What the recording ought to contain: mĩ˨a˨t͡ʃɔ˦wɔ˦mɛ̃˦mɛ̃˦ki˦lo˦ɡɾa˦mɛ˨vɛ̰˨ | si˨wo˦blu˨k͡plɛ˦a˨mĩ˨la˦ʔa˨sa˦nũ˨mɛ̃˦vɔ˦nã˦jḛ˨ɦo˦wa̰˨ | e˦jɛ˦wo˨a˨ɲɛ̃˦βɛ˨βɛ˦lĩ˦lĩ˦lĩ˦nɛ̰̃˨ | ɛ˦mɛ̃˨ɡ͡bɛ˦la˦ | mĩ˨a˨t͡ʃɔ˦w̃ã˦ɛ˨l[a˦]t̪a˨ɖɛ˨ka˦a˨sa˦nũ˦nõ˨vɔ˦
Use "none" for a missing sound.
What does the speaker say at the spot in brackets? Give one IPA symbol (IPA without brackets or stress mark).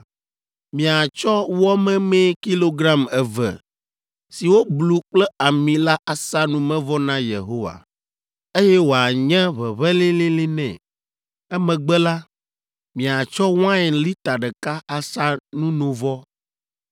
i˦